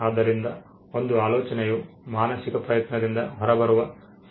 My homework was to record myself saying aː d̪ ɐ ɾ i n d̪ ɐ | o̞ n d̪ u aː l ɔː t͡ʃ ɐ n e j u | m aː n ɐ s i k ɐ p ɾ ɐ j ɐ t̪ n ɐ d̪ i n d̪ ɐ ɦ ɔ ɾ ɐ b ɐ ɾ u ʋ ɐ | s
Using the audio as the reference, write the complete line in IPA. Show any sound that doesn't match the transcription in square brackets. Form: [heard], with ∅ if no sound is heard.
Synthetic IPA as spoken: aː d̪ ɐ ɾ i n d̪ ɐ | o̞ n d̪ u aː l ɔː t͡ʃ ɐ n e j u | m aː n ɐ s i k ɐ p ɾ ɐ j ɐ t̪ n ɐ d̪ i n d̪ ɐ ɦ ɔ ɾ ɐ b ɐ ɾ u ʋ ɐ | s